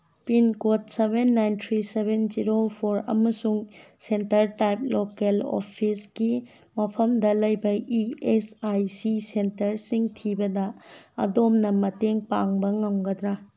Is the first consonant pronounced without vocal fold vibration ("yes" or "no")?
yes